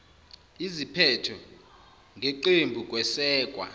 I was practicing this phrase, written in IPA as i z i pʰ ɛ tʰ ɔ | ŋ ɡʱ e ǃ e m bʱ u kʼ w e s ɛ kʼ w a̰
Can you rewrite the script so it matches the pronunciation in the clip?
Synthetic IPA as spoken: i z i pʰ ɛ tʰ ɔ | ŋ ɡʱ e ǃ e m bʱ u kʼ w ɛ s ɛː kʼ w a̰